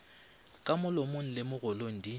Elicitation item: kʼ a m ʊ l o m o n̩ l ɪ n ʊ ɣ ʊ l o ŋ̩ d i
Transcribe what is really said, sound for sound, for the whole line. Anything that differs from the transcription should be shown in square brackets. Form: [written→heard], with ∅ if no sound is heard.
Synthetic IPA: kʼ a m ʊ l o m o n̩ l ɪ [n→m] ʊ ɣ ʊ l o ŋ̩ d i